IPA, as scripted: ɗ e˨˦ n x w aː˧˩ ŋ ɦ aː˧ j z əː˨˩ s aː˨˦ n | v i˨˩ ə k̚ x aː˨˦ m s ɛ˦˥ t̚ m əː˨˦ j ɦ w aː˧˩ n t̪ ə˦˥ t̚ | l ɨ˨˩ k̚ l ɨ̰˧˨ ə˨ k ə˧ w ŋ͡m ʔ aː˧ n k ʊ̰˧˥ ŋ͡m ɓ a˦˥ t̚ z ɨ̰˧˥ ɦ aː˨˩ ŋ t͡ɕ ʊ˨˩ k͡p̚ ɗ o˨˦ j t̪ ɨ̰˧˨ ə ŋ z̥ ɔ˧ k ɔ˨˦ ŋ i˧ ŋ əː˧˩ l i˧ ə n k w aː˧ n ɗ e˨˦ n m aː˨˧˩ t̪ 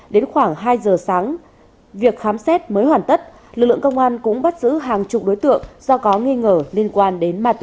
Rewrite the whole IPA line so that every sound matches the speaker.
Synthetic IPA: ɗ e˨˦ n x w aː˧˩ ŋ ɦ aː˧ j z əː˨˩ s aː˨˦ ŋ | v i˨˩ ə k̚ x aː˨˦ m s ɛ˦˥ t̚ m əː˨˦ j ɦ w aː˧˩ n t̪ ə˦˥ t̚ | l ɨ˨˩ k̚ l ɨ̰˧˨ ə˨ k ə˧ w ŋ͡m ʔ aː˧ n k ʊ̰˧˥ ŋ͡m ɓ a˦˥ t̚ z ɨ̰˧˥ ɦ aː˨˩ ŋ t͡ɕ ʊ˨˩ k͡p̚ ɗ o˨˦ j t̪ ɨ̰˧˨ ə ŋ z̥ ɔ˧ k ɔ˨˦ ŋ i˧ ŋ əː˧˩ l i˧ ə n k w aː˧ n ɗ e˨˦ n m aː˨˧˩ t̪